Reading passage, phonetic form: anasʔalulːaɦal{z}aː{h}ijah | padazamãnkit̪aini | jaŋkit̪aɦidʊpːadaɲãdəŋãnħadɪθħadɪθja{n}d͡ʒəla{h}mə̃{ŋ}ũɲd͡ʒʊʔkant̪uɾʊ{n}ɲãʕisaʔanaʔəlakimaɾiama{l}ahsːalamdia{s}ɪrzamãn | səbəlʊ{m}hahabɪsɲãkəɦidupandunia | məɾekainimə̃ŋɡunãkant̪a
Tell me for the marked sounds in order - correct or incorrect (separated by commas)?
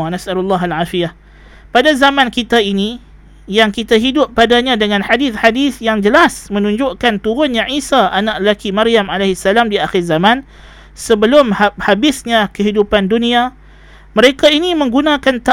incorrect, incorrect, incorrect, incorrect, incorrect, correct, correct, incorrect, correct